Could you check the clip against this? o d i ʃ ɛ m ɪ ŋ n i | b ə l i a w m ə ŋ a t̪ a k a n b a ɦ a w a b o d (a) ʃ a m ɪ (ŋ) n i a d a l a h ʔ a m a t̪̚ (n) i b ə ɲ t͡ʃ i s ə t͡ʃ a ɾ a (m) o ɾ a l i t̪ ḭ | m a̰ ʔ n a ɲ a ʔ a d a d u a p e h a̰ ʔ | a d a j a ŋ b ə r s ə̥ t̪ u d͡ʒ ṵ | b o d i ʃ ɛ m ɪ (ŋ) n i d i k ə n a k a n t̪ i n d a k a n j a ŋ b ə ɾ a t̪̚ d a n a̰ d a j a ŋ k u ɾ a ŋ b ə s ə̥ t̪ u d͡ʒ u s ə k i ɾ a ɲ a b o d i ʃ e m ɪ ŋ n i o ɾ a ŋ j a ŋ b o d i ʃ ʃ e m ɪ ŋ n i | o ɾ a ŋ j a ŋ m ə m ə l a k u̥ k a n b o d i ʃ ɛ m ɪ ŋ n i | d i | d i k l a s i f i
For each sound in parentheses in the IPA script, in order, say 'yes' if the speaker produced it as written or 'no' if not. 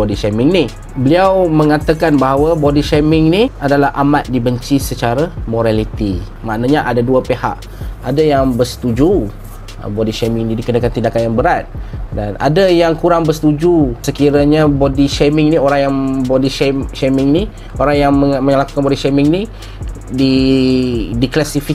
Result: no, yes, no, yes, yes

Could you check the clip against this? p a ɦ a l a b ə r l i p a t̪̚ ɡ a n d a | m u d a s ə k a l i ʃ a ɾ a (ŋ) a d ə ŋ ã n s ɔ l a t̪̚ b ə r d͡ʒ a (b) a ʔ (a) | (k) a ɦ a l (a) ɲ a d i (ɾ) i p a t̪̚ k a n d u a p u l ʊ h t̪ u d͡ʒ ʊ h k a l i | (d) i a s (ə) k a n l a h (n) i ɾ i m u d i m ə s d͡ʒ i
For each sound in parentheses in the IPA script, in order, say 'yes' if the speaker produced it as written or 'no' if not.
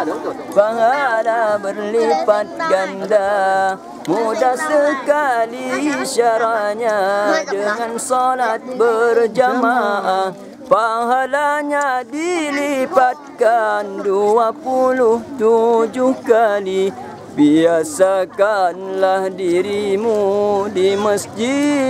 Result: no, no, yes, no, yes, no, no, no, no

